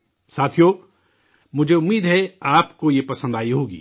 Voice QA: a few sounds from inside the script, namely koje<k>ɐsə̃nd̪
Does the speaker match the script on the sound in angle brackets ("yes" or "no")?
no